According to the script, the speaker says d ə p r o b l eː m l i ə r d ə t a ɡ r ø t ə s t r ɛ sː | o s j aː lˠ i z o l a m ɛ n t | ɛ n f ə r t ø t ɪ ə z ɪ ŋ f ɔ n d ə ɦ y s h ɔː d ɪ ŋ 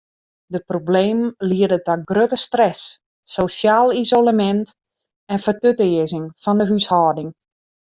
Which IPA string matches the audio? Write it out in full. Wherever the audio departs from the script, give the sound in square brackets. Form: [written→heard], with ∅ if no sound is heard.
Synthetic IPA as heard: d ə p r o b l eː m l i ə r d ə t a ɡ r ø t ə s t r ɛ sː | o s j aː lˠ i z o l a m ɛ n t | ɛ n f ə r t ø t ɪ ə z ɪ ŋ f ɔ n d ə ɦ y s h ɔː d ɪ ŋ